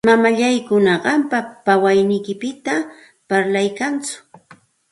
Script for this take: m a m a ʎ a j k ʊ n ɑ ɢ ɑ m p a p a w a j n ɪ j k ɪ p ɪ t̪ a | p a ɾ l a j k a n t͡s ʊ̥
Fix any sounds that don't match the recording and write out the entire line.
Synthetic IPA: m a m a ʎ a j k ʊ n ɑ ɢ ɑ m p a p a w a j n ɪ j k ɪ p ɪ t̪ a | p a ɾ l a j k a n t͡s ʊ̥

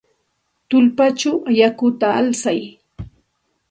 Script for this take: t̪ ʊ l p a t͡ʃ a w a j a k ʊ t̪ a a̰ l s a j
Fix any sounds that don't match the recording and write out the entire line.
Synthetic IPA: t̪ ʊ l p a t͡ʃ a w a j a k ʊ t̪ a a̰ l s a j

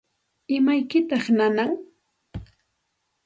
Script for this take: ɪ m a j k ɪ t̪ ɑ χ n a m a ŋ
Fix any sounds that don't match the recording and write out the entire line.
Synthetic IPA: ɪ m a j k ɪ t̪ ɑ χ n a n a ŋ

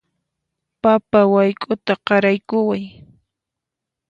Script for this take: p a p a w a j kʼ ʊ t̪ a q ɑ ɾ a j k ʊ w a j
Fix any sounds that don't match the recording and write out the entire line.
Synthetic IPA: p a p a w a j kʼ ʊ t̪ a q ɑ ɾ a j k ʊ w a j

